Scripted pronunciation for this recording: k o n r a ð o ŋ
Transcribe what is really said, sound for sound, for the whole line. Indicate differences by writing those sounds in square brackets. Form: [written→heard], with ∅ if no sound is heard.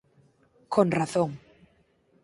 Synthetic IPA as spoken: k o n r a [ð→θ] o ŋ